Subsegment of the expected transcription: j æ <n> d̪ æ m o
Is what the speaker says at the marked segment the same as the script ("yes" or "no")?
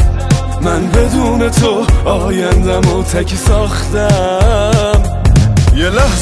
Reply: yes